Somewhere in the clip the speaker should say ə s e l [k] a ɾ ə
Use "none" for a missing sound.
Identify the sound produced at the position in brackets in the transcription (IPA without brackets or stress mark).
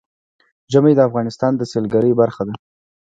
ɡ